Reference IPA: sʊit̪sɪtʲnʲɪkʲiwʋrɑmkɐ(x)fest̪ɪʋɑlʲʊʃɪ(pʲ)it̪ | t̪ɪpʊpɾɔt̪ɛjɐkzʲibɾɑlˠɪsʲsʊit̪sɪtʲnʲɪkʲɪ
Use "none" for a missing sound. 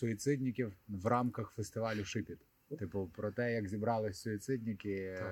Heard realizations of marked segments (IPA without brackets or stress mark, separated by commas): x, pʲ